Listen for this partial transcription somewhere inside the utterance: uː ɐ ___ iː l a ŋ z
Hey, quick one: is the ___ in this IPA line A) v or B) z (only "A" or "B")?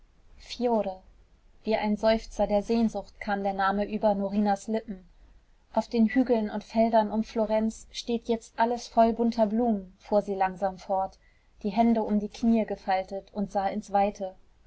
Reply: B